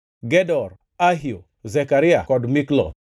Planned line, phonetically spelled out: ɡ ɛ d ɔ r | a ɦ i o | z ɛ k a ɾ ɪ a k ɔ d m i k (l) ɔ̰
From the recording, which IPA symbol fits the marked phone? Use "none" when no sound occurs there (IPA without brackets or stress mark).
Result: l